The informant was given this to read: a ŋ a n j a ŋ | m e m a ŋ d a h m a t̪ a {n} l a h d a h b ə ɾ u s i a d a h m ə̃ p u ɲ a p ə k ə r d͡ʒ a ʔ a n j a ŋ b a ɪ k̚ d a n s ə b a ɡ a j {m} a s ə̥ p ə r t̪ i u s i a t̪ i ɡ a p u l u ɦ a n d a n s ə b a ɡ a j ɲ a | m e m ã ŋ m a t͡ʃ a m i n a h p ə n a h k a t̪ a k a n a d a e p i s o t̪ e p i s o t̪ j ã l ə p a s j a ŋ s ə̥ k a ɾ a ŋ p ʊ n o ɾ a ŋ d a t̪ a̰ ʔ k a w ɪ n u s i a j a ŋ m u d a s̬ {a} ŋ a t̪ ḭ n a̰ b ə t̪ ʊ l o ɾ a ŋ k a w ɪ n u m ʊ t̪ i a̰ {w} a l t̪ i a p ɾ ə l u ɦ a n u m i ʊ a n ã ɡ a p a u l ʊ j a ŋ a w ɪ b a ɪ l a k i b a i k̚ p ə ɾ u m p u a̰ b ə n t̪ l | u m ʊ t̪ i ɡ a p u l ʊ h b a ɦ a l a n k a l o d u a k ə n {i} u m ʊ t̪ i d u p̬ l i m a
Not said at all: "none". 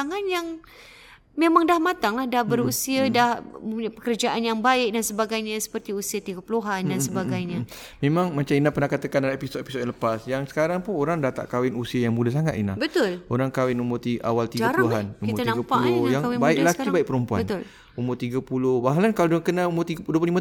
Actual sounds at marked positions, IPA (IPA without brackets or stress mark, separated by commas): ŋ, ɲ, a, w, a